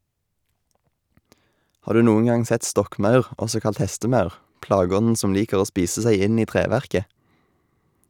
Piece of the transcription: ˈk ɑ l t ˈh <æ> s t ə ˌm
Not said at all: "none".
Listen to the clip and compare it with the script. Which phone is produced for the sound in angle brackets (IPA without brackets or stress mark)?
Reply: ɛ